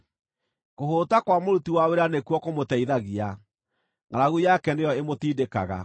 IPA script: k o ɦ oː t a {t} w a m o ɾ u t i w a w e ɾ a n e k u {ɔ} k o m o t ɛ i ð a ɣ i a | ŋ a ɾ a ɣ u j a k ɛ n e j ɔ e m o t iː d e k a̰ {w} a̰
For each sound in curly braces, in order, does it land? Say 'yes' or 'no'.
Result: no, yes, no

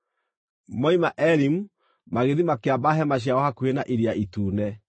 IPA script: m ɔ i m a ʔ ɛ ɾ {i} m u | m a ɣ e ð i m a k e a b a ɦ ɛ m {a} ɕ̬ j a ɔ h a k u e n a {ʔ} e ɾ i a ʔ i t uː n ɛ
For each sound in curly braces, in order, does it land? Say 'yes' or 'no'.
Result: yes, yes, yes

